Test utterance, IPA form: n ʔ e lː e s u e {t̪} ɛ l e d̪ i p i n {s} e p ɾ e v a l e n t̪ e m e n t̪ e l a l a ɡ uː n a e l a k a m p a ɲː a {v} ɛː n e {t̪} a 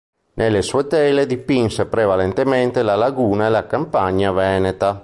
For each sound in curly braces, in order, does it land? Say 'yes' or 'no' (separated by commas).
yes, yes, yes, yes